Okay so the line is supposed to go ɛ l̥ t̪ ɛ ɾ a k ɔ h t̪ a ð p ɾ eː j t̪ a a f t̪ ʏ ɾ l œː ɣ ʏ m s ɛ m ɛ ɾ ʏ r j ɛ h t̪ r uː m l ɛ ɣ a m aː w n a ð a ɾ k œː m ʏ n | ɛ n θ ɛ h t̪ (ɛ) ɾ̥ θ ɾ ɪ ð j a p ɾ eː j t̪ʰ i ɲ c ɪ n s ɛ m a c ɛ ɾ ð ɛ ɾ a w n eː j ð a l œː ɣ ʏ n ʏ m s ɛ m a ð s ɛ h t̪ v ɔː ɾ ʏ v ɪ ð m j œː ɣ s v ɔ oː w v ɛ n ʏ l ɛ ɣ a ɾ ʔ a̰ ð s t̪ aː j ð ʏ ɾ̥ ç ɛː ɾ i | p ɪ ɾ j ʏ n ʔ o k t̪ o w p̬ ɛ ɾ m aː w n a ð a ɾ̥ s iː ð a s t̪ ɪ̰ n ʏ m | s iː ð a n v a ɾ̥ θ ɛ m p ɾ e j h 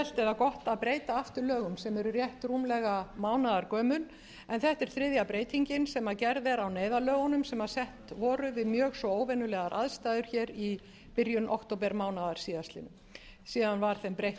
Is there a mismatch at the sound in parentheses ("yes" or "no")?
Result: no